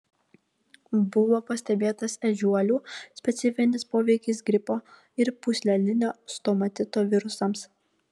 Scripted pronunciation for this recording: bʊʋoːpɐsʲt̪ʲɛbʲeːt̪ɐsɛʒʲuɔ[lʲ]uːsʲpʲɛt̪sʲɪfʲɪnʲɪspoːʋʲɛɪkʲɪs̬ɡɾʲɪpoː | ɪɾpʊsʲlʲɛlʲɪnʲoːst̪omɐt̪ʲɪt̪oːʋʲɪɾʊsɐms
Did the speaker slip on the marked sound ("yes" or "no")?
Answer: no